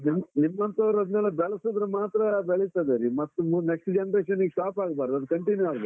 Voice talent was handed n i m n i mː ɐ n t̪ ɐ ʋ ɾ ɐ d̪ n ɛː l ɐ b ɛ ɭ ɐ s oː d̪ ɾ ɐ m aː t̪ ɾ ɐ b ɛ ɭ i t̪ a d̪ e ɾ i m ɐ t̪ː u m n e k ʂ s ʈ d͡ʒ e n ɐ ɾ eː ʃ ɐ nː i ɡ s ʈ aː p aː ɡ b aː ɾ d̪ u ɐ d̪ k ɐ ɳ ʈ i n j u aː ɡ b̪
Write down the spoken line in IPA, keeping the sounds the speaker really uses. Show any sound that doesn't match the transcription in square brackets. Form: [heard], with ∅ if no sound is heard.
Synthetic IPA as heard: n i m n i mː ɐ n t̪ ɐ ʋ ɾ ɐ d̪ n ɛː l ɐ b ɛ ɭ ɐ s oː d̪ ɾ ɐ m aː t̪ ɾ ɐ b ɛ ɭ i t̪ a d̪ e ɾ i m ɐ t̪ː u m n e k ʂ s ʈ d͡ʒ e n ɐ ɾ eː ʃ ɐ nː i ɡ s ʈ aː p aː ɡ b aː ɾ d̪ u ɐ d̪ k ɐ ɳ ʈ i n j u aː ɡ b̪